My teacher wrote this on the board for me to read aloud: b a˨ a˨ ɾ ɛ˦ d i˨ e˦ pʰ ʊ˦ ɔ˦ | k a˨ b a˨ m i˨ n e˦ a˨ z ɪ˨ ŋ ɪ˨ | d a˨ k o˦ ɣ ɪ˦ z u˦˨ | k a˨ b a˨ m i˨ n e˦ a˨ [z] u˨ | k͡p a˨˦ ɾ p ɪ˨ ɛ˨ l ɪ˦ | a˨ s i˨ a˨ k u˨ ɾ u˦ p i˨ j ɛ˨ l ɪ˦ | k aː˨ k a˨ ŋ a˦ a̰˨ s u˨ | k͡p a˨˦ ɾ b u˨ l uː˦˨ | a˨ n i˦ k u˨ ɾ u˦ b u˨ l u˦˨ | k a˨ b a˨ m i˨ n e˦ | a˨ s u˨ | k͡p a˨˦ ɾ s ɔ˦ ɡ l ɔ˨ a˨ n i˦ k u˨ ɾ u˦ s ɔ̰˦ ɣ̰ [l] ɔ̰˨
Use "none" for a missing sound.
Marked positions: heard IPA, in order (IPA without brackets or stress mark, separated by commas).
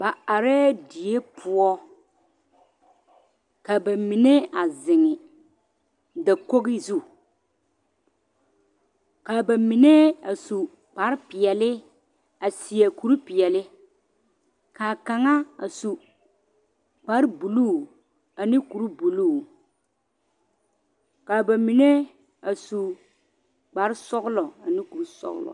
s, l